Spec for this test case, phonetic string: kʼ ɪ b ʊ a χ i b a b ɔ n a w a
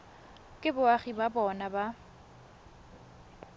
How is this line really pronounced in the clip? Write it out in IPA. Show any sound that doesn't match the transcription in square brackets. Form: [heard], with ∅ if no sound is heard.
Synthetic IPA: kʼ ɪ b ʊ a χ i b a b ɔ n a [b] a

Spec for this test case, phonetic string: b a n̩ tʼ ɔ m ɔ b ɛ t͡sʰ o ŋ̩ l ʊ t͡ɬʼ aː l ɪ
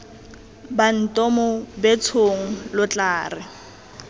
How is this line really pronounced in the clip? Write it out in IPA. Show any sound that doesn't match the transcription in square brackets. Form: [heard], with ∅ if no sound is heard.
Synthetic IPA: b a n̩ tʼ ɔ m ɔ b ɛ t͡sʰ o ŋ̩ l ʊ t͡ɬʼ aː [r] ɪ

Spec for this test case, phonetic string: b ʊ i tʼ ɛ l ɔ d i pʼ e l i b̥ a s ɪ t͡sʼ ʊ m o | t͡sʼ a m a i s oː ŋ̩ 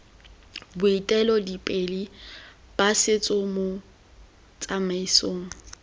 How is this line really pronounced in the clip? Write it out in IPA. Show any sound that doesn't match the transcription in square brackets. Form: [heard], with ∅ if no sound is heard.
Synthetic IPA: b ʊ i tʼ ɛ l ɔ d i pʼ e l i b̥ a s ɪ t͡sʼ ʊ m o | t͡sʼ a m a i s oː ŋ̩

